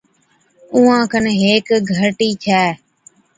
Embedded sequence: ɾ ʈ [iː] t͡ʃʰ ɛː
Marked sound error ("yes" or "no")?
no